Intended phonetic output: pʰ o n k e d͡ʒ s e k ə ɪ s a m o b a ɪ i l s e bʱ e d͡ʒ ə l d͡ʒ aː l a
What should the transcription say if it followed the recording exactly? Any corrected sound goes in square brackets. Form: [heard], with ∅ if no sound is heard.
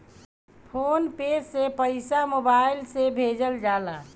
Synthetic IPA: pʰ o n [p] e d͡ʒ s e [p] ə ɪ s a m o b a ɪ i l s e bʱ e d͡ʒ ə l d͡ʒ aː l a